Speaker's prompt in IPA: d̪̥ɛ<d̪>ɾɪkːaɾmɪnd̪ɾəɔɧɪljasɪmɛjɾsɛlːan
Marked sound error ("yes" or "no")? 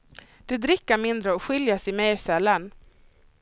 no